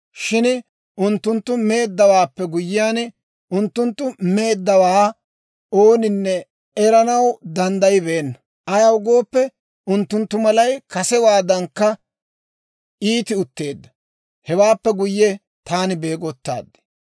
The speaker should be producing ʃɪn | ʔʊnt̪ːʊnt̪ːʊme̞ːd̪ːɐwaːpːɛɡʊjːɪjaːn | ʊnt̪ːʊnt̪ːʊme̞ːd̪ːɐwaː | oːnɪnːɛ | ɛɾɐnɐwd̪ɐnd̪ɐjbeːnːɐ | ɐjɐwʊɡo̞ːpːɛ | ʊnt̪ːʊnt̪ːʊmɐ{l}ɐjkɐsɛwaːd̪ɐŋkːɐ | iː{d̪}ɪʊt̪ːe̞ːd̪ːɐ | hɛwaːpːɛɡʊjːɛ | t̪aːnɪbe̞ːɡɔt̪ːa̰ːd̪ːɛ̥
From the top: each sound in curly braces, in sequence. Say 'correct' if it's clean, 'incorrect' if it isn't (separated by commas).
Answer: correct, incorrect